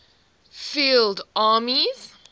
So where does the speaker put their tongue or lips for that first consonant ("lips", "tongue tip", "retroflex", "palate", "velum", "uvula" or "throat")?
lips